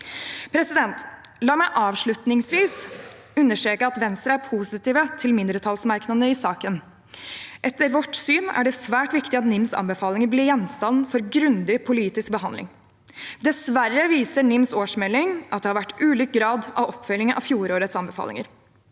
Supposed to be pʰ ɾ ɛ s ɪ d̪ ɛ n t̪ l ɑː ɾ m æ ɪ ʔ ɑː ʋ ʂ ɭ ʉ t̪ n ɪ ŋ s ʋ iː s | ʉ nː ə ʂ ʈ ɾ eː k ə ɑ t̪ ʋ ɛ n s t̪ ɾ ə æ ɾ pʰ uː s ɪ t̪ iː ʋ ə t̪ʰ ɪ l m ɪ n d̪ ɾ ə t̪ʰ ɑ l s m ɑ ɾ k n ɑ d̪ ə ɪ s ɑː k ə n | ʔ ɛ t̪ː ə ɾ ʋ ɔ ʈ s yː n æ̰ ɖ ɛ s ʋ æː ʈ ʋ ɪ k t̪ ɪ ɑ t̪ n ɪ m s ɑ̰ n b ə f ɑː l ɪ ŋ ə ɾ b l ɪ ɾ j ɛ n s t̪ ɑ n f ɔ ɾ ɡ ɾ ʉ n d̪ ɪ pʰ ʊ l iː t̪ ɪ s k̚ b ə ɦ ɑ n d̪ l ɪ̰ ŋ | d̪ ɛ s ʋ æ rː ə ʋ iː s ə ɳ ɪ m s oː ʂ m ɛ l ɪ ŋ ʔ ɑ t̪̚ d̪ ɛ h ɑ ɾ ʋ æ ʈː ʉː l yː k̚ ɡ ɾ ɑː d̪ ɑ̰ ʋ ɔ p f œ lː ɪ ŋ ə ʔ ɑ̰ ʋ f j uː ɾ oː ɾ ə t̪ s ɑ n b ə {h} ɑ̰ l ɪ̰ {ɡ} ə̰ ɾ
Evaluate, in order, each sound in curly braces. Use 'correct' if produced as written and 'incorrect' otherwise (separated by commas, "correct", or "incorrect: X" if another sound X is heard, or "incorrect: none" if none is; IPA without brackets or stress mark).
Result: incorrect: f, incorrect: ŋ